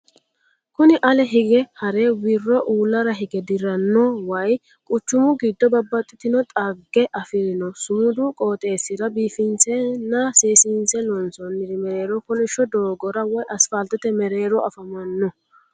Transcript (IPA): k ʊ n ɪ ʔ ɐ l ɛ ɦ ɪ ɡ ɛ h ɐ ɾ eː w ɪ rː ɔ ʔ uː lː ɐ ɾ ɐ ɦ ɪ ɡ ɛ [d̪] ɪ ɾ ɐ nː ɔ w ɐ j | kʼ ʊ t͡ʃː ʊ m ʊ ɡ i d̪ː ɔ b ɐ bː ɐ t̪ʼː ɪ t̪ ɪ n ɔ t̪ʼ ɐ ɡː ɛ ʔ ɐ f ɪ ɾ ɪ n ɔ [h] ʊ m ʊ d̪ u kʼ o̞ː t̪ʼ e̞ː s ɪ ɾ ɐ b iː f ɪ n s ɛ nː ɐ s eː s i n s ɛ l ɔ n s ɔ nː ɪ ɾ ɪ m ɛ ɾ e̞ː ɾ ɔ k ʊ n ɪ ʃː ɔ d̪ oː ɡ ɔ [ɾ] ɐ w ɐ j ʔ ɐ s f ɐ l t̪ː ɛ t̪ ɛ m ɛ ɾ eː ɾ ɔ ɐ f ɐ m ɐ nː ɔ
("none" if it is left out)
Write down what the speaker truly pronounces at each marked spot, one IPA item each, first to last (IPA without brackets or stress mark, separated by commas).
d̪, s, ɾ